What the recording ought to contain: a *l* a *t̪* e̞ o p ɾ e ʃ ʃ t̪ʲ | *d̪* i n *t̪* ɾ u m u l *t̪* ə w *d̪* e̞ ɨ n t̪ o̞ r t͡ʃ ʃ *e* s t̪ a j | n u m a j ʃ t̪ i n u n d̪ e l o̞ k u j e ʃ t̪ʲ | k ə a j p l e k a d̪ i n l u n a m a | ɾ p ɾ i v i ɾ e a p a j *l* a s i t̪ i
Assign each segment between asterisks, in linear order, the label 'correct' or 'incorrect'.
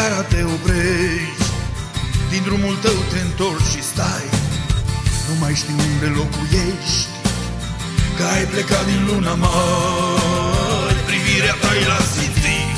incorrect, correct, correct, incorrect, correct, incorrect, incorrect, correct

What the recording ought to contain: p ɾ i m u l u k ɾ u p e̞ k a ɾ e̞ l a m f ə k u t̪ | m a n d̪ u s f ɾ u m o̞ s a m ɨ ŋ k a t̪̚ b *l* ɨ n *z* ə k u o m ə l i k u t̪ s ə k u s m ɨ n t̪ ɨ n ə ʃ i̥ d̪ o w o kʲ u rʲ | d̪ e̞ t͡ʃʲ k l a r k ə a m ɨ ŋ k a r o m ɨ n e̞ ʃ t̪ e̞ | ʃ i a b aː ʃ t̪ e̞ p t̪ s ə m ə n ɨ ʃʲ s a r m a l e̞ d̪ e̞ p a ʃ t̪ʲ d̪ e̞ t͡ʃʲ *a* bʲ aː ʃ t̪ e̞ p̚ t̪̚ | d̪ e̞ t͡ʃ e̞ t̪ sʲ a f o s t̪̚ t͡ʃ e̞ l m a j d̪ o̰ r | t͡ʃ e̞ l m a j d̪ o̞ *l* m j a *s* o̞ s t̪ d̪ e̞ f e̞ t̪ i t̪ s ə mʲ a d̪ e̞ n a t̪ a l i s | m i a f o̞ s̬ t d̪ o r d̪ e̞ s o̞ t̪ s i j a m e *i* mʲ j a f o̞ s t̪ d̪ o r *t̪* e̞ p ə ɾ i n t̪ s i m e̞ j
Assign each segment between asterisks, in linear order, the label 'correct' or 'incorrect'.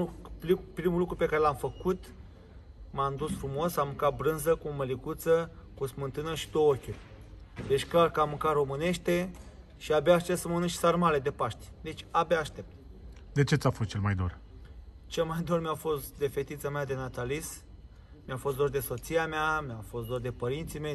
incorrect, correct, correct, incorrect, incorrect, incorrect, incorrect

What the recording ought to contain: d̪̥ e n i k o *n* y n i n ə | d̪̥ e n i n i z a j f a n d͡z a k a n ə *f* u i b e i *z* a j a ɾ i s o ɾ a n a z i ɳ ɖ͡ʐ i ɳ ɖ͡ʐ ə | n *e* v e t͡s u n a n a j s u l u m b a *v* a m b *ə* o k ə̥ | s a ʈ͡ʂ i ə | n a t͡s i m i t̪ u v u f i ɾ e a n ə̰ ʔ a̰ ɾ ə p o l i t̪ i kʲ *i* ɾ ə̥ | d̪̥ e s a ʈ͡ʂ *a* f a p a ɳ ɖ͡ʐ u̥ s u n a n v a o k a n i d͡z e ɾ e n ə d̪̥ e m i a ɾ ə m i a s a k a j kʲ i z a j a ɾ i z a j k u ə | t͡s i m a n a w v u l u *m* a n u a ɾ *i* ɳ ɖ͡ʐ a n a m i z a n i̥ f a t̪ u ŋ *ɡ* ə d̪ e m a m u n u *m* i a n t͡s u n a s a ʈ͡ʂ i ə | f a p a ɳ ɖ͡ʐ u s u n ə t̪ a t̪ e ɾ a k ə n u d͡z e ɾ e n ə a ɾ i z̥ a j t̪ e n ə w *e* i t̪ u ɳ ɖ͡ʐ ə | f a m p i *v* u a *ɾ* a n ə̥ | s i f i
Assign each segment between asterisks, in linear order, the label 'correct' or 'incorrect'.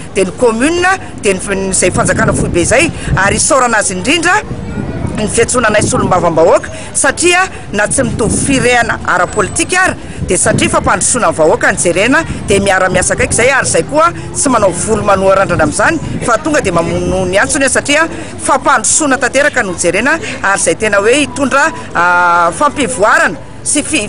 incorrect, correct, correct, incorrect, correct, incorrect, incorrect, incorrect, correct, incorrect, correct, incorrect, correct, correct, correct

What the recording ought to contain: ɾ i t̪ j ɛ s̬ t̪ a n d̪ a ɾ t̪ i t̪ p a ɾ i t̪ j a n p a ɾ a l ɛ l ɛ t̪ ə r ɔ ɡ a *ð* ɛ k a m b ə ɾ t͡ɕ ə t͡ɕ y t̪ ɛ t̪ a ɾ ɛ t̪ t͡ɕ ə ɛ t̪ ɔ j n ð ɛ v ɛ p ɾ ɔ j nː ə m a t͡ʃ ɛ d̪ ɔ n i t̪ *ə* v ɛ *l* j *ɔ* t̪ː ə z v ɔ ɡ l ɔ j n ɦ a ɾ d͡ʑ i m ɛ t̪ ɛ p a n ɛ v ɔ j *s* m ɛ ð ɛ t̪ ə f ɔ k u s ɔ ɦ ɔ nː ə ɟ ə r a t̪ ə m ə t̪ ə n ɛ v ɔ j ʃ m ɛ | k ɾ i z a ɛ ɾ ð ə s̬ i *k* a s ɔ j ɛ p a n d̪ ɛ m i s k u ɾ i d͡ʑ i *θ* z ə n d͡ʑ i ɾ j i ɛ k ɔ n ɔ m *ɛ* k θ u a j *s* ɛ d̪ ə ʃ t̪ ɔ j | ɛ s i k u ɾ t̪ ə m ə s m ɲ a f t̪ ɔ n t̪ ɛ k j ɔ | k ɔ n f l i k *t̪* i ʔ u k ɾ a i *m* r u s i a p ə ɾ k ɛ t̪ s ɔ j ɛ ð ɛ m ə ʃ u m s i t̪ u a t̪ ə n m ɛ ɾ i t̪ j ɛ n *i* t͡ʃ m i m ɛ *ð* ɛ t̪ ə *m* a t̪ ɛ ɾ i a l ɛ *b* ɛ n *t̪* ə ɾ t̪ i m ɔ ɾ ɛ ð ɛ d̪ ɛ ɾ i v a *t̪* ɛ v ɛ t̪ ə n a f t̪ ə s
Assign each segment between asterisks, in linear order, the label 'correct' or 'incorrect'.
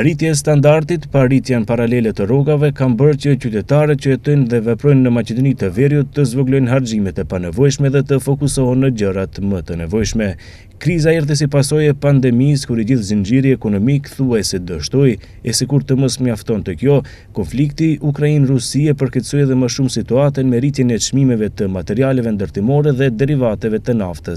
incorrect, correct, incorrect, incorrect, incorrect, incorrect, correct, incorrect, correct, correct, incorrect, incorrect, incorrect, correct, incorrect, incorrect, correct

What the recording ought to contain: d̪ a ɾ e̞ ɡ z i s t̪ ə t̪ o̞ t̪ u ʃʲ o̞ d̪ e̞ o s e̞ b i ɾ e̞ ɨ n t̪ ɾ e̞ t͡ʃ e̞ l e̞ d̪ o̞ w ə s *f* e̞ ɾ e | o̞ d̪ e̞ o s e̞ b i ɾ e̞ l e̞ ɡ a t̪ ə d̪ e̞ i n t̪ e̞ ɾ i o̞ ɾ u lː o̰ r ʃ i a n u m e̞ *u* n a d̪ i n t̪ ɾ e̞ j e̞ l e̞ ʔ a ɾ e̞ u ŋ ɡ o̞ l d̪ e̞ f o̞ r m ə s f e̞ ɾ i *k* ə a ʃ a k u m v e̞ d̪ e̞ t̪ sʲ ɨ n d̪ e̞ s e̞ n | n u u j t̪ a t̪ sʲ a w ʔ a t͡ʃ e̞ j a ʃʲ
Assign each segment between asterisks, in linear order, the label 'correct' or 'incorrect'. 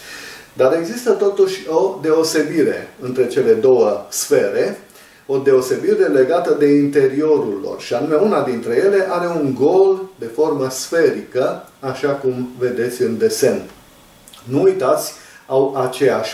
correct, correct, correct

